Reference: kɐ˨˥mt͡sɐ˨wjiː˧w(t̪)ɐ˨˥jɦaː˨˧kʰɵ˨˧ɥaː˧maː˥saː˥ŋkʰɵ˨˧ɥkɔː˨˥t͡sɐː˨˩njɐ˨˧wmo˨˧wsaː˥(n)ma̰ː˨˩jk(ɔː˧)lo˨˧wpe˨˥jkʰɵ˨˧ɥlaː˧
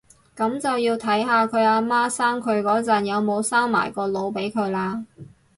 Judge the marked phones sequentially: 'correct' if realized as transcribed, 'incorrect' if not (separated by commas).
incorrect, incorrect, correct